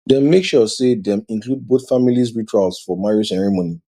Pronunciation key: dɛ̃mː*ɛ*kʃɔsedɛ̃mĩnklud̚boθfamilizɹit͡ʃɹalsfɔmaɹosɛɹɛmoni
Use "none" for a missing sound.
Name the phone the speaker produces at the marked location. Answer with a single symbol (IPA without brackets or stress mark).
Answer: e